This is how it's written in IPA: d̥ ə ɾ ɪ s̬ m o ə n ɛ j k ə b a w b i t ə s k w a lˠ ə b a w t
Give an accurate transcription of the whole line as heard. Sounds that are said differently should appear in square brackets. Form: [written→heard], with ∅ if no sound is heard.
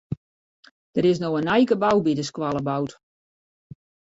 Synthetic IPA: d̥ ə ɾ ɪ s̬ [m→n] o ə n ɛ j k ə b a w b i [t→d] ə s k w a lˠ ə b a w t